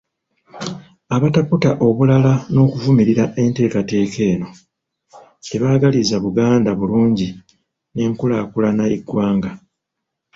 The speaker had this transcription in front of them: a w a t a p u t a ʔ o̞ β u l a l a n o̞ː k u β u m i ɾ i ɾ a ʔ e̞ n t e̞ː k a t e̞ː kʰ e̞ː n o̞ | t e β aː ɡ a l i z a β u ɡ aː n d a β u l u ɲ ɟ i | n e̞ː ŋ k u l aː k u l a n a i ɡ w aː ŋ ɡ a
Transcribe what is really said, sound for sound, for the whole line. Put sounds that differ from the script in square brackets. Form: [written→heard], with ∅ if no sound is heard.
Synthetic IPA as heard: a [w→β] a t a p u t a ʔ o̞ β u l a l a n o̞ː k u [β→v] u m i ɾ i ɾ a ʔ e̞ n t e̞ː k a t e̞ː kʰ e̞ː n o̞ | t e β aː ɡ a l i z a β u ɡ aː n d a β u l [u→uː] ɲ ɟ i | n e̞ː ŋ k u l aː k u l a n a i ɡ w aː ŋ ɡ a